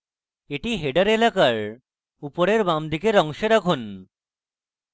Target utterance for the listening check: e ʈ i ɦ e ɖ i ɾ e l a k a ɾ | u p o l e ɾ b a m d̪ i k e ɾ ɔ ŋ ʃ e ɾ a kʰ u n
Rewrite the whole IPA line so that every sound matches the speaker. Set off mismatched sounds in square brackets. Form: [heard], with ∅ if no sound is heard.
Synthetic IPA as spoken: e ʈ i ɦ e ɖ [a] ɾ e l a k a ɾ | u p o [ɾ] e ɾ b a m d̪ i k e ɾ ɔ ŋ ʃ e ɾ a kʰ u n